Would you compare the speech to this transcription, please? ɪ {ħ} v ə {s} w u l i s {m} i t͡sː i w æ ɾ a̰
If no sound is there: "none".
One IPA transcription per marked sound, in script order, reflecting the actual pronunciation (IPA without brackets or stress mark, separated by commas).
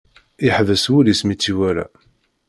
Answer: ħ, s, m